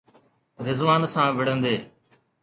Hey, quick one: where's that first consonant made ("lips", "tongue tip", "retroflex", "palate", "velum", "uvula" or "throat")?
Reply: tongue tip